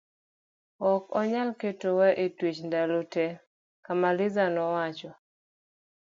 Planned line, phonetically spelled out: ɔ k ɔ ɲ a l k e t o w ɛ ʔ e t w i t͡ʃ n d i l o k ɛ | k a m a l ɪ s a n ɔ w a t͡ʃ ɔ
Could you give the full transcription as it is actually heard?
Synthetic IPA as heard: ɔ k ɔ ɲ a l k e t o w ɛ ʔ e t w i t͡ʃ n d a l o t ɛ | k a m a l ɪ z a n ɔ w a t͡ʃ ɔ